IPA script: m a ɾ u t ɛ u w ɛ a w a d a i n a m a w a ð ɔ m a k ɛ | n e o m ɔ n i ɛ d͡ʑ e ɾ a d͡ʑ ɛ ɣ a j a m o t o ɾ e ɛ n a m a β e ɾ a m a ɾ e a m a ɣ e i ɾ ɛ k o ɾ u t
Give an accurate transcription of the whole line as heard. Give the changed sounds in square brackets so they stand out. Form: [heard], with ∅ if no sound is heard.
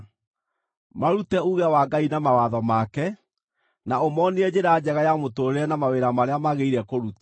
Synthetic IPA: m a ɾ u t ɛ u [ɣ] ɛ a w a [ɡ] a i n a m a w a ð ɔ m a k ɛ | n [a] o m ɔ n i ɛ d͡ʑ e ɾ a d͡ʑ ɛ ɣ a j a m o t o ɾ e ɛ n a m a [w] e ɾ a m a ɾ e a m a ɣ e i ɾ ɛ k o ɾ u t